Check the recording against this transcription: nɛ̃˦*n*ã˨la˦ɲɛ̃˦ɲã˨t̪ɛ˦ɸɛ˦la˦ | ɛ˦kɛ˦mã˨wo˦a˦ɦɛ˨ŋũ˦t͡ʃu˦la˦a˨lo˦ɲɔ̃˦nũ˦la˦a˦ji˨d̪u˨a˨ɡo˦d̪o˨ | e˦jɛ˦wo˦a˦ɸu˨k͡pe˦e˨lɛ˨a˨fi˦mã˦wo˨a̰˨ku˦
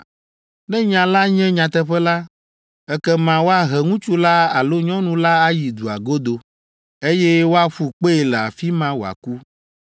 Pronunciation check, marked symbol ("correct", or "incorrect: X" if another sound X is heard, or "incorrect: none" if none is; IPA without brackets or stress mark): incorrect: ɲ